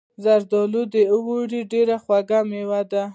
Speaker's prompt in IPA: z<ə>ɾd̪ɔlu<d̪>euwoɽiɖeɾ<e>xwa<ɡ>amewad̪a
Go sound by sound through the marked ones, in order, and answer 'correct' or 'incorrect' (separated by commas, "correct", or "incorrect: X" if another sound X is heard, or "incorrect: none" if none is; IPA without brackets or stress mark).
incorrect: a, correct, incorrect: a, correct